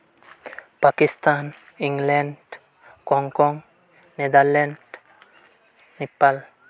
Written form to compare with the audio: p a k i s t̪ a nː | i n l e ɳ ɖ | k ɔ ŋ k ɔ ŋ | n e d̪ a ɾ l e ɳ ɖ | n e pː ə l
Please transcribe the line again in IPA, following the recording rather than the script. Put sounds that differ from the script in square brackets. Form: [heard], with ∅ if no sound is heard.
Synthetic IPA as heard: p a k i s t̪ a [n] | i [ŋ] l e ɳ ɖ | k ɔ ŋ k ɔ ŋ | n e d̪ a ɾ l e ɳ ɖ | n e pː [a] l